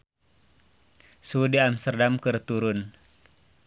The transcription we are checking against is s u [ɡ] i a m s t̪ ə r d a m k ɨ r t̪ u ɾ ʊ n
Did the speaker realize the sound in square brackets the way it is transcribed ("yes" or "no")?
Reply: no